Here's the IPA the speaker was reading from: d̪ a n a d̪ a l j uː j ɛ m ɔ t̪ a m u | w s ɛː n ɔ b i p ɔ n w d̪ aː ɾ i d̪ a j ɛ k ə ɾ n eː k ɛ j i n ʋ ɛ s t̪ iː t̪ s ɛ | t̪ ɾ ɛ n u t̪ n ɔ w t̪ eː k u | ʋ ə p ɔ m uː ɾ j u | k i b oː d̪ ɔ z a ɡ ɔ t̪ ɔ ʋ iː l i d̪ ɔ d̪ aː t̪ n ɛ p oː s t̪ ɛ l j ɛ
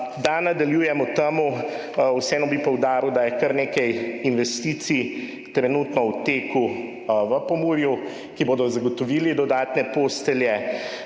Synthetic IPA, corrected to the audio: d̪ a n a d̪ a l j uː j ɛ m ɔ t̪ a m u | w s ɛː n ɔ b i p ɔ w d̪ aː ɾ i d̪ a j ɛ k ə ɾ n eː k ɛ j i n ʋ ɛ s t̪ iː t̪ s i | t̪ ɾ ɛ n u t̪ n ɔ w t̪ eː k u | ʋ ə p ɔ m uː ɾ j u | k i b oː d̪ ɔ z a ɡ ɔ t̪ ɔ ʋ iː l i d̪ ɔ d̪ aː t̪ n ɛ p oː s t̪ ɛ l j ɛ

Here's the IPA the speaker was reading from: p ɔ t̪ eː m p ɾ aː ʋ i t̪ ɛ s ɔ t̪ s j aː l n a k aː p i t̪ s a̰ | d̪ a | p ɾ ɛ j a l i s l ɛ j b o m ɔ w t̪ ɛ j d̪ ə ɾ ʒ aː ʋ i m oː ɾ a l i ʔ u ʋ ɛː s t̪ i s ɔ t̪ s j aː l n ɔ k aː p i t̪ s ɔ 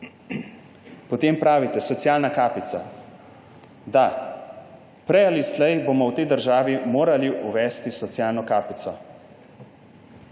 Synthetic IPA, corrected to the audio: p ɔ t̪ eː m p ɾ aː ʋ i t̪ ɛ s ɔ t̪ s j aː l n a k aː p i t̪ s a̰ | d̪ a | p ɾ ɛ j a l i s l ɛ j b o m ɔ w t̪ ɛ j d̪ ə ɾ ʒ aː ʋ i m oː ɾ a l i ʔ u ʋ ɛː s t̪ i s ɔ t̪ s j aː l n ɔ k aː p i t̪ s ɔ

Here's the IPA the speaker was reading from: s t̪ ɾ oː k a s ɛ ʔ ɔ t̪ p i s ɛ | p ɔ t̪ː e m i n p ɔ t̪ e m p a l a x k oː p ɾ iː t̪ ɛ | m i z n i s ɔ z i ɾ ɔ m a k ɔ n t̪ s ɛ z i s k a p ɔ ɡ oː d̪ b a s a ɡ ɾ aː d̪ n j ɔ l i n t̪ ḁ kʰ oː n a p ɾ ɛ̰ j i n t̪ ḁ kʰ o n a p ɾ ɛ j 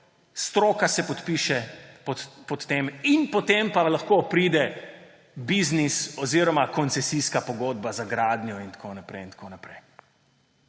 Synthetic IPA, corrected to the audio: s t̪ ɾ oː k a s ɛ p ɔ t̪ p i ʃ ɛ | p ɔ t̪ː e m i n p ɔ t̪ e m p a l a x k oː p ɾ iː d̪ ɛ | b i z n i s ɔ z i ɾ ɔ m a k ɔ n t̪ s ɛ s i s k a p ɔ ɡ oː d̪ b a z a ɡ ɾ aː d̪ n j ɔ i n t̪ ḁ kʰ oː n a p ɾ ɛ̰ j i n t̪ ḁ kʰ o n a p ɾ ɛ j

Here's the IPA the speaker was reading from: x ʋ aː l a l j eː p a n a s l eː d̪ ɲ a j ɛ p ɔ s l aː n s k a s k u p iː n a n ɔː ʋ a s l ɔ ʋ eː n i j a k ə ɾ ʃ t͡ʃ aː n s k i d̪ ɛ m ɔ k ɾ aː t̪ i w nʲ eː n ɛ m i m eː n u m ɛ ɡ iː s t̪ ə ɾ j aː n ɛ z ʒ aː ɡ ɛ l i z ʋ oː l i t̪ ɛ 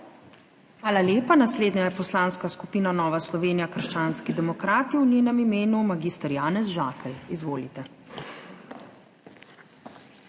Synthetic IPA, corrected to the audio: x ʋ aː l a l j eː p a n a s l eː d̪ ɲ a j ɛ p ɔ s l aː n s k a s k u p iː n a n ɔː ʋ a s l ɔ ʋ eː n i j a k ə ɾ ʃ t͡ʃ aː n s k i d̪ ɛ m ɔ k ɾ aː t̪ i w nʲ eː n ɛ m i m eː n u m a ɡ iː s t̪ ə ɾ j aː n ɛ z ʒ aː k ɛ l i z ʋ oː l i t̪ ɛ

